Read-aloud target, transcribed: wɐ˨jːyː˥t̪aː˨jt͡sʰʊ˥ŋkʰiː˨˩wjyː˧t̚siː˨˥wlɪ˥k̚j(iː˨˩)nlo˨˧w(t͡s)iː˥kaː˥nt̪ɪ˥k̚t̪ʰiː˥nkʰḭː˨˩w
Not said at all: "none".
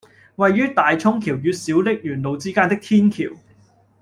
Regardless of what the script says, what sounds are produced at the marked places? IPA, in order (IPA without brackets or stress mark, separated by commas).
yː˨˩, t͡s